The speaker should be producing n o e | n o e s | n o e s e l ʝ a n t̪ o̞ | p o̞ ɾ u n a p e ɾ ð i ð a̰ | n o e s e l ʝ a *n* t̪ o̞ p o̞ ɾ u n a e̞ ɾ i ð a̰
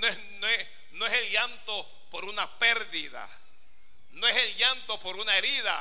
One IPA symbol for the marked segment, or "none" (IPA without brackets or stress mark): n